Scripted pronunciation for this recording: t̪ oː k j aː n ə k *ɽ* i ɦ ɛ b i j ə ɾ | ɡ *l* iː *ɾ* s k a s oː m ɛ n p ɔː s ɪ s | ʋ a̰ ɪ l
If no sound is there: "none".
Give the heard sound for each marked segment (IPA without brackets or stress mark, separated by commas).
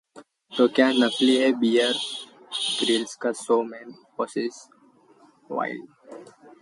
l, ɾ, l